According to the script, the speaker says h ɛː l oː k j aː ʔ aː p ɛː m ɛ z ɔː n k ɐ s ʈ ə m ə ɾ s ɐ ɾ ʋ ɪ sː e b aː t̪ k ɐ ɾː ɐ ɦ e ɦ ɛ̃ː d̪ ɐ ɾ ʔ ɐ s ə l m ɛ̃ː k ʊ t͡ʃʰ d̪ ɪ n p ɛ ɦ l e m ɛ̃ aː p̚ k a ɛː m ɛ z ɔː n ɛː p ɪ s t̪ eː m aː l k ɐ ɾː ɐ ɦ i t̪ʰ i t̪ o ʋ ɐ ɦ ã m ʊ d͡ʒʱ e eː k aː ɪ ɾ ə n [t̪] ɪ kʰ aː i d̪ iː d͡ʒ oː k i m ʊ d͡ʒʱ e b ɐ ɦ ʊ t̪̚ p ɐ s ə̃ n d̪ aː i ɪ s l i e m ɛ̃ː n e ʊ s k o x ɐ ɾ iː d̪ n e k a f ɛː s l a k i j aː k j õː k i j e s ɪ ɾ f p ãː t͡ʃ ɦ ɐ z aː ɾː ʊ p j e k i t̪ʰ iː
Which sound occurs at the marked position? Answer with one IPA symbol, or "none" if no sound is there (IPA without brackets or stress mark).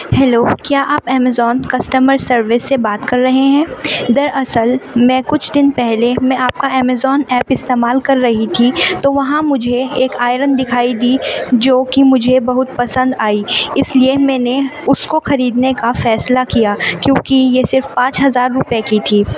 d̪